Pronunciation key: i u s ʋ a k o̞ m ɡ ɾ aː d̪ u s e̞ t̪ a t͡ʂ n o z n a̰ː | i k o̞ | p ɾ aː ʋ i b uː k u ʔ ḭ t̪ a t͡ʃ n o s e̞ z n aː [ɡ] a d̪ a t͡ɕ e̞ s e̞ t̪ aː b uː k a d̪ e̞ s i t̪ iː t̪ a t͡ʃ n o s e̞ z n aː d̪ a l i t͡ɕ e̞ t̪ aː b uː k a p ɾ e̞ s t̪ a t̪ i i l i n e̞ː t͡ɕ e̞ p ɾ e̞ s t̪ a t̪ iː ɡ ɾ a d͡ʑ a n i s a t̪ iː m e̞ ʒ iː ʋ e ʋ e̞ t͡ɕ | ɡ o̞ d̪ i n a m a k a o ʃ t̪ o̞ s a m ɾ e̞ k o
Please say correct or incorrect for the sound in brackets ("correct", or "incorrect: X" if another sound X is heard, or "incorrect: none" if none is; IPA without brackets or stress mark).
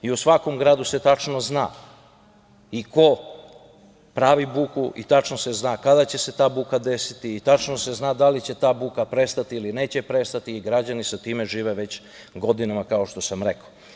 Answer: incorrect: k